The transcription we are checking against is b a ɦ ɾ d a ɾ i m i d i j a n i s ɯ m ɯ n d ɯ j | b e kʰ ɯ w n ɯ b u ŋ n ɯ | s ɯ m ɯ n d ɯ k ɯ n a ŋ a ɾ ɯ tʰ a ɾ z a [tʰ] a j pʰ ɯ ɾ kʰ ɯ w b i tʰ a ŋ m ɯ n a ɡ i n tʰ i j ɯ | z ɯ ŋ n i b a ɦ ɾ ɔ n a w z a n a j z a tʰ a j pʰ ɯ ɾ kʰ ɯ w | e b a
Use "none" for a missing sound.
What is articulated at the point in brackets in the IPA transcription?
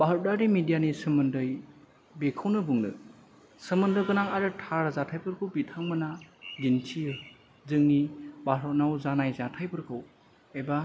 tʰ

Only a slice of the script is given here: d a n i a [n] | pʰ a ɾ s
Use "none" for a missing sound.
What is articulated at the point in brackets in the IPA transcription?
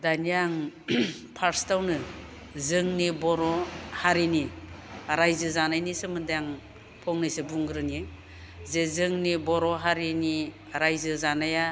ŋ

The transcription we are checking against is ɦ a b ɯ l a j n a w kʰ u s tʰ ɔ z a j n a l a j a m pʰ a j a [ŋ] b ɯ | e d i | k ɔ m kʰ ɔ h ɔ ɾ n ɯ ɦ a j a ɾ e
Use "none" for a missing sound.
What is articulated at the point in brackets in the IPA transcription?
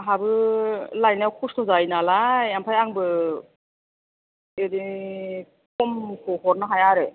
ŋ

